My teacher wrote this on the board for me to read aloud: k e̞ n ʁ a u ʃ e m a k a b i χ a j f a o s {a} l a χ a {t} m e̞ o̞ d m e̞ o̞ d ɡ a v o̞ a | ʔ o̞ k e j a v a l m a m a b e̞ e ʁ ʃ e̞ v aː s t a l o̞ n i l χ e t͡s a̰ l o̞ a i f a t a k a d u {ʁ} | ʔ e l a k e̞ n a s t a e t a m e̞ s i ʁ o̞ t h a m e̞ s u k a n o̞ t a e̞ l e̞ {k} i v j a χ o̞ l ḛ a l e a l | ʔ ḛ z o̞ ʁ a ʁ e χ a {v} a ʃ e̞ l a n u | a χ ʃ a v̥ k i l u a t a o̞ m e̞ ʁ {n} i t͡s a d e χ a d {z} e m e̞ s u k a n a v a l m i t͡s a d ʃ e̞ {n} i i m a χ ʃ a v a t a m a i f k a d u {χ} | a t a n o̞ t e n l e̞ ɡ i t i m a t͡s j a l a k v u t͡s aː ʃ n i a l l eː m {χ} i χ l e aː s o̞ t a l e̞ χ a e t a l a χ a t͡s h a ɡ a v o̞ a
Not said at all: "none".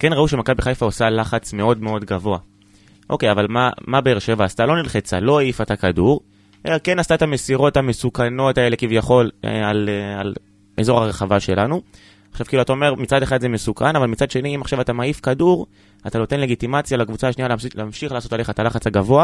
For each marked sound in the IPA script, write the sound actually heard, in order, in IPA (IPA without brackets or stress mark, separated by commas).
a, t͡s, ʁ, k, v, m, z, n, ʁ, ʃ